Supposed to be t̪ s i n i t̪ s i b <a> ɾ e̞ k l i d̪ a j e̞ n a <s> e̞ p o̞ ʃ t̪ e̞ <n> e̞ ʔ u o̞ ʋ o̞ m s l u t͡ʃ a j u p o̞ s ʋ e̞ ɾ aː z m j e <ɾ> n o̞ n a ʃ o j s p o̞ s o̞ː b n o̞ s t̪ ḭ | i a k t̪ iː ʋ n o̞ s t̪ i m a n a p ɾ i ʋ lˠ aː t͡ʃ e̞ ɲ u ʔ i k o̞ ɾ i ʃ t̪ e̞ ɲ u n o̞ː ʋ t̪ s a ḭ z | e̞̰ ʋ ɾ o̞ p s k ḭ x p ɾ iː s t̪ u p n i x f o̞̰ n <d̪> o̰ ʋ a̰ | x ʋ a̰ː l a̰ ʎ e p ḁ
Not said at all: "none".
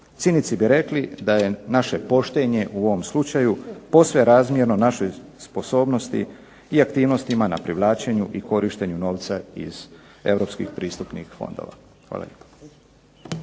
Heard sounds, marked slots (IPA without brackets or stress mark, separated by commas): i, ʃ, ɲ, ɾ, d̪